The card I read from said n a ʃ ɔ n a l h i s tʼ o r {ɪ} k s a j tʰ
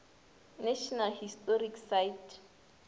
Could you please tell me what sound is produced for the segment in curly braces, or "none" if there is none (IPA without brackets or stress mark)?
i